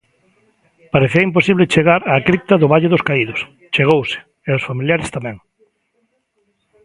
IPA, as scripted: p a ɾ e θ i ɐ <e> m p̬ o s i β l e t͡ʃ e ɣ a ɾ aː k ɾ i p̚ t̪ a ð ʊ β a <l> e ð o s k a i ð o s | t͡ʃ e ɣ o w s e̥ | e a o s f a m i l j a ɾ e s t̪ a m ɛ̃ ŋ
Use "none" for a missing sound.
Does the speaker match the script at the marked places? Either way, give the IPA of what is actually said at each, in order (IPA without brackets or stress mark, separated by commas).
i, ʎ